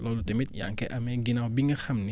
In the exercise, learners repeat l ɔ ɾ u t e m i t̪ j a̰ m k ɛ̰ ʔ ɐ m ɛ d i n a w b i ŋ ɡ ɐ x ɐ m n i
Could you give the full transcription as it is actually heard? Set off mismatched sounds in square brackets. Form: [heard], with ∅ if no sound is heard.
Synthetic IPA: l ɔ [l] u t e m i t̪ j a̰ [ŋ] k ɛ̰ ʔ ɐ m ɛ [ɡ] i n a w b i ŋ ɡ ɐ x ɐ m n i